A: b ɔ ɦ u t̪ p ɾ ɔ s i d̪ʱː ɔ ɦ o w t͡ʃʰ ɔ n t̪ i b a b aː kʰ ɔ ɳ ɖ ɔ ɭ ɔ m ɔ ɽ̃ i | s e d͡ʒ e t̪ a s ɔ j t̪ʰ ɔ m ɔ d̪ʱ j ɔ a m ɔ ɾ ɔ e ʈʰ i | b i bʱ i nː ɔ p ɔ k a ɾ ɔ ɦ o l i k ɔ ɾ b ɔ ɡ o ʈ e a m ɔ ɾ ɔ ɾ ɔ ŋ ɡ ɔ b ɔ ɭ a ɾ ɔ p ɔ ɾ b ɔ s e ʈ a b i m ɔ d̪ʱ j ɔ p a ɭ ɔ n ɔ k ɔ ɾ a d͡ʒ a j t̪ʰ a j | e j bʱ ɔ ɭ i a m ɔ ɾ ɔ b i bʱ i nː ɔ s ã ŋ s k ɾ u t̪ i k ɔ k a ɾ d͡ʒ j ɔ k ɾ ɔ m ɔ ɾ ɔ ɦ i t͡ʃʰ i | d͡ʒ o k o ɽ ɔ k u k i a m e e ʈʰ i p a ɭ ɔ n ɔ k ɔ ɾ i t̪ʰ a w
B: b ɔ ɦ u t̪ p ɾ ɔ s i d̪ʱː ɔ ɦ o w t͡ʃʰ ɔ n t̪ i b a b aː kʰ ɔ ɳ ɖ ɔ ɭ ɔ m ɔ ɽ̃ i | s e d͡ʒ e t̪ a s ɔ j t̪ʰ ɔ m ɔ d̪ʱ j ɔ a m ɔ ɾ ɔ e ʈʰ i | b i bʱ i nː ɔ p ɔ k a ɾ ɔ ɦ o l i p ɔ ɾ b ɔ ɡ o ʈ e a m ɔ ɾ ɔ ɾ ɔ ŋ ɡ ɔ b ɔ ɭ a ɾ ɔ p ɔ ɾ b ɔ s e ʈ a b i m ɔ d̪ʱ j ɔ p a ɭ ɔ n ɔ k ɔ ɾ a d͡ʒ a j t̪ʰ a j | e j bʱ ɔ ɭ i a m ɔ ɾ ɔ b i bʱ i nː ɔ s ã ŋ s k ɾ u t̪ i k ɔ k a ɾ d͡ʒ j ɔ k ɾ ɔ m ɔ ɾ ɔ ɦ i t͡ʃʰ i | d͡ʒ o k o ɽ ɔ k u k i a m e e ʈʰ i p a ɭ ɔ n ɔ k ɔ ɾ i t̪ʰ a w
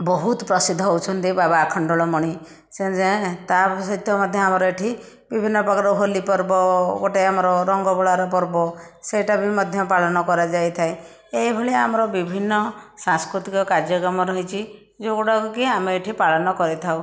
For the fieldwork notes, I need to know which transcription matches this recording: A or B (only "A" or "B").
B